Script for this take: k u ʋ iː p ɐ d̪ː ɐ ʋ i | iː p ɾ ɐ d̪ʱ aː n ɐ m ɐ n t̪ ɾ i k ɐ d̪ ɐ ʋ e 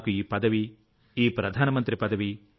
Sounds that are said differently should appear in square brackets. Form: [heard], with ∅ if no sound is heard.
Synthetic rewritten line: k u [∅] iː p ɐ [d̪] ɐ ʋ i | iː p ɾ ɐ d̪ʱ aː n ɐ m ɐ n t̪ ɾ i [p] ɐ d̪ ɐ ʋ [i]